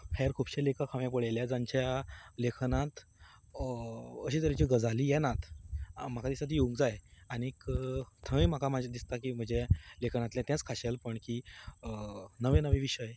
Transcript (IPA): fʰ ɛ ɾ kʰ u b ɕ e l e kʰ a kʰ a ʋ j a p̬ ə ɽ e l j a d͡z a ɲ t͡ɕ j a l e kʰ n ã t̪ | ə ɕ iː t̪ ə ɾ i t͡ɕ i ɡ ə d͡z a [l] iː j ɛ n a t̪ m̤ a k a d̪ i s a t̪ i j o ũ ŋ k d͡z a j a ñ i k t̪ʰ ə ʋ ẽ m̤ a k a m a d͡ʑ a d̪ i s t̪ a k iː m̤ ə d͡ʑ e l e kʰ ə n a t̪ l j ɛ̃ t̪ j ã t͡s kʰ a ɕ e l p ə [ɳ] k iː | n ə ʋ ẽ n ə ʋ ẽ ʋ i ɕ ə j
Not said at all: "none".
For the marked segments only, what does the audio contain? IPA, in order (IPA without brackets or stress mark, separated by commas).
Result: l, ɳ